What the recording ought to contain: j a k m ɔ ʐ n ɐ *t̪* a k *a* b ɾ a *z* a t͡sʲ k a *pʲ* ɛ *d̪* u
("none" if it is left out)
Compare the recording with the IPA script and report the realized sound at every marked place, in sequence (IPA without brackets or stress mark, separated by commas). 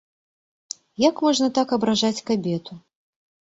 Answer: t̪, ɐ, ʐ, bʲ, t̪